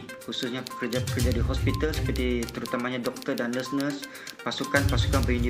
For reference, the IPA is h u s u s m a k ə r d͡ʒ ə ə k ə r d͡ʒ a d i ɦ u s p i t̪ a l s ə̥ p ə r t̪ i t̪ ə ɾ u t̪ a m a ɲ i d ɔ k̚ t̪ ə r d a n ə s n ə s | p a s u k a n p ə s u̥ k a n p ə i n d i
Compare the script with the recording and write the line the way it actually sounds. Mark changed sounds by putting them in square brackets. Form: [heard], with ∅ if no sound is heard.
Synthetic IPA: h u s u s [ɲ] a k ə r d͡ʒ [a] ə k ə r d͡ʒ a d i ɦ [ɔ] s p i t̪ a l s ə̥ p ə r t̪ i t̪ ə ɾ u t̪ a m a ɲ [a] d ɔ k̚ t̪ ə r d a n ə s n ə s | p a s u k a n p [a] s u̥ k a n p ə i n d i